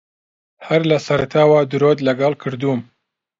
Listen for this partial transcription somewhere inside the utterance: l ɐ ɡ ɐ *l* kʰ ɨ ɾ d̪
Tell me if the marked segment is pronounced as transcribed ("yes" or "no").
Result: yes